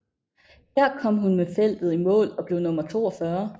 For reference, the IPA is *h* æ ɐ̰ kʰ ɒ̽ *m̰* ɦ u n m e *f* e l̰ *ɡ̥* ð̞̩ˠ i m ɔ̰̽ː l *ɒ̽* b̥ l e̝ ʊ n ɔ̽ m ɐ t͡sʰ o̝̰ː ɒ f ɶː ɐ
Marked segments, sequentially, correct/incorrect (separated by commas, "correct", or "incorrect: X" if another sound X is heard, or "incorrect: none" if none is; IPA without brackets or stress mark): correct, correct, correct, incorrect: d̥, correct